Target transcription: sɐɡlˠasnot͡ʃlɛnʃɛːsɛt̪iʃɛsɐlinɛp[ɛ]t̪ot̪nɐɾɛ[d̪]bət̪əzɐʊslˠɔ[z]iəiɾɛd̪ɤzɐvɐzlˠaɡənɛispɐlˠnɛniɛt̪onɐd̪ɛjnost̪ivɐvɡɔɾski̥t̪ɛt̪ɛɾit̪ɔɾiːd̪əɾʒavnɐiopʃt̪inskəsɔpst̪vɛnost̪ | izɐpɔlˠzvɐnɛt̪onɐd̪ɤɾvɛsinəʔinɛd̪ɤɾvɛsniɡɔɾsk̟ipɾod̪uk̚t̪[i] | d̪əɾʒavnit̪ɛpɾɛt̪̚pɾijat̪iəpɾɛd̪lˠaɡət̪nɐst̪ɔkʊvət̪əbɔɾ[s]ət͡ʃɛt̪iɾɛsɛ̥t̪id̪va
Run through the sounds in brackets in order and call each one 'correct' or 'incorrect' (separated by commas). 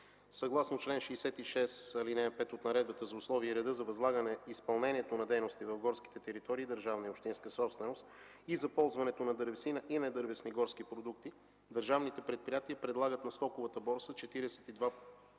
correct, correct, incorrect, correct, correct